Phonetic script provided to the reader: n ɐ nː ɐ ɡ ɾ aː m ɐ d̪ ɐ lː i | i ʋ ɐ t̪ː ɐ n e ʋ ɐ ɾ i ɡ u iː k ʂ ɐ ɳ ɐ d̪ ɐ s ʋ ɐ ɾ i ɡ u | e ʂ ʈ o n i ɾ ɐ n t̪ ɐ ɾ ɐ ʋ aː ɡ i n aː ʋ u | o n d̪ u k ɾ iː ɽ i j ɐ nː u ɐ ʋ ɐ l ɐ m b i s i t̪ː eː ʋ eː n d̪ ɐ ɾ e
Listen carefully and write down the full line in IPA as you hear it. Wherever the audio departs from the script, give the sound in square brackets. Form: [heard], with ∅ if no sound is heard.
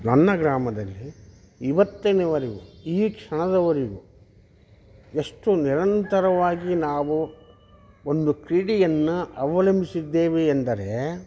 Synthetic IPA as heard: n ɐ nː ɐ ɡ ɾ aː m ɐ d̪ ɐ lː i | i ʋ ɐ t̪ː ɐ n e ʋ ɐ ɾ i ɡ u iː k ʂ ɐ ɳ ɐ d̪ ɐ [∅] ʋ ɐ ɾ i ɡ u | e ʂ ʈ [u] n i ɾ ɐ n t̪ ɐ ɾ ɐ ʋ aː ɡ i n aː ʋ u | o n d̪ u k ɾ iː ɽ i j ɐ nː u ɐ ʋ ɐ l ɐ m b i s i [d̪ː] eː ʋ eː n d̪ ɐ ɾ e